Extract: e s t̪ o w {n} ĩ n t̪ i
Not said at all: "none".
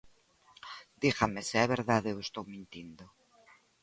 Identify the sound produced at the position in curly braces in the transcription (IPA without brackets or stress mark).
m